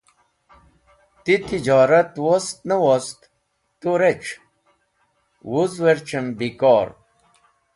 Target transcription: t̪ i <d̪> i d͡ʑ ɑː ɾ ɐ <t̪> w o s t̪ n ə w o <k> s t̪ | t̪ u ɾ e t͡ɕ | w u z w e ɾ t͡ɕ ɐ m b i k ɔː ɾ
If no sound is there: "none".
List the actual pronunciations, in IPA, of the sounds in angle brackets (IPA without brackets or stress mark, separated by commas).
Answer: t̪, t̪, none